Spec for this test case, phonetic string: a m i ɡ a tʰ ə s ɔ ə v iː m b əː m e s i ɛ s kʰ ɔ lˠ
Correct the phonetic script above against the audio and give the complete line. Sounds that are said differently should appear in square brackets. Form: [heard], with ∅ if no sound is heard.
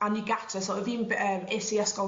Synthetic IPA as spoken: a [n] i ɡ a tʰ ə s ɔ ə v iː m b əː m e s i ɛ s [k] ɔ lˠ